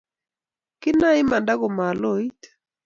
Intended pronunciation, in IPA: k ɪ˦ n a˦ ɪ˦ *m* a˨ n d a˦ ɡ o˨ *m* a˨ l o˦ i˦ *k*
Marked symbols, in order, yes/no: yes, yes, no

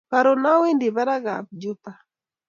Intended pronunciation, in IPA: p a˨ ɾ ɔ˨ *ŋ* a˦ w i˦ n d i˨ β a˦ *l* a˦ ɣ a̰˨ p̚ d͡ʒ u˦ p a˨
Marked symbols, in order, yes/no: no, no

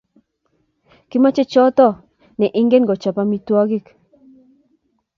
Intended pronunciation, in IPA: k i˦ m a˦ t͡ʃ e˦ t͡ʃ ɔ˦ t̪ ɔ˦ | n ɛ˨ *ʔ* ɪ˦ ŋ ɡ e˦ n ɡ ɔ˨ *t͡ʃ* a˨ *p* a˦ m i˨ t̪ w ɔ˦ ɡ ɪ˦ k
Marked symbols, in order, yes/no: yes, yes, yes

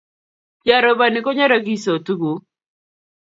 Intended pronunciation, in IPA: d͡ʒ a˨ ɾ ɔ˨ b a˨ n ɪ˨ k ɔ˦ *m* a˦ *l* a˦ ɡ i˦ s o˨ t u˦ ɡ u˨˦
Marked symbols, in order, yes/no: no, no

